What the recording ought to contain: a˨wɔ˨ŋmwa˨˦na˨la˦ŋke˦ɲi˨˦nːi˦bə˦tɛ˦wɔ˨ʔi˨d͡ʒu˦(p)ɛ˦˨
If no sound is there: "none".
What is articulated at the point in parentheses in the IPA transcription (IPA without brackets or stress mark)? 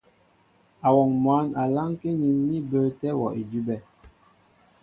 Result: b